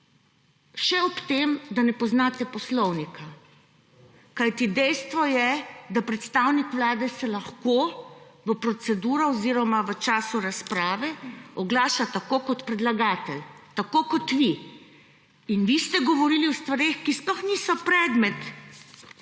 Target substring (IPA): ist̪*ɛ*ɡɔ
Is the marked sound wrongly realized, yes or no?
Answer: no